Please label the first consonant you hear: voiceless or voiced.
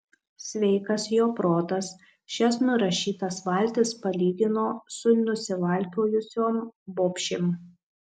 voiceless